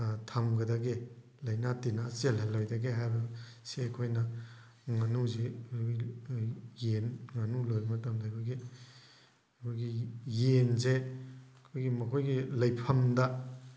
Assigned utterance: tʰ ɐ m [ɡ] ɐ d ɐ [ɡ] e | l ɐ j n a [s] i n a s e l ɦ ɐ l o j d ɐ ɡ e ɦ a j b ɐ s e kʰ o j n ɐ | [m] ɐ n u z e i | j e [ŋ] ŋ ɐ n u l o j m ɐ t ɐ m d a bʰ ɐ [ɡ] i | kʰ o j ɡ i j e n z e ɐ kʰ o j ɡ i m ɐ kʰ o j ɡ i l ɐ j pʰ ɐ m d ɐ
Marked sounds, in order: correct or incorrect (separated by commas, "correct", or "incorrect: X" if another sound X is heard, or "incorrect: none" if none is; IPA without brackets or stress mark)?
correct, correct, incorrect: t, incorrect: ŋ, incorrect: n, correct